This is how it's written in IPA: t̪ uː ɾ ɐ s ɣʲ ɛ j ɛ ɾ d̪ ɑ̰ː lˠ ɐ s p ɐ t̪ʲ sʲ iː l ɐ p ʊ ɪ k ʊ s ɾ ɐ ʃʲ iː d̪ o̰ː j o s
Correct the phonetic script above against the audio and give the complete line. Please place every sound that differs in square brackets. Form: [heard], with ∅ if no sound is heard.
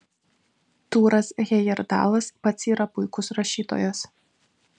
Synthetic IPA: t̪ uː ɾ ɐ s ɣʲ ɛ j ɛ ɾ d̪ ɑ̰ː lˠ ɐ s p ɐ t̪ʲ sʲ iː [ɾ] ɐ p ʊ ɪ k ʊ s ɾ ɐ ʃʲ iː [t̪] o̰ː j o s